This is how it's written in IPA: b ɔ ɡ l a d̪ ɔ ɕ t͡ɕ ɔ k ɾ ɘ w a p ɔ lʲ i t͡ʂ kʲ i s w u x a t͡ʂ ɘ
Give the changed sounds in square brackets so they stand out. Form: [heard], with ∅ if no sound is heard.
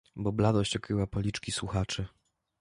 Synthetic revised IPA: b ɔ [b] l a d̪ ɔ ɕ t͡ɕ ɔ k ɾ ɘ w a p ɔ lʲ i t͡ʂ kʲ i s w u x a t͡ʂ ɘ